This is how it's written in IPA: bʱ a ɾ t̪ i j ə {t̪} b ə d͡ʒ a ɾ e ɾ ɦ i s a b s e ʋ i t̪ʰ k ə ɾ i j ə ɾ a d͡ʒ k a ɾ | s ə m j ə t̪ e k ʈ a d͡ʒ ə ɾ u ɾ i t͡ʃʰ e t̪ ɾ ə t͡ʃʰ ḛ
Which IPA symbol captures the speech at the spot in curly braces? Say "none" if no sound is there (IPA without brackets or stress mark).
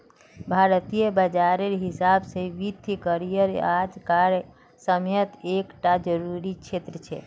none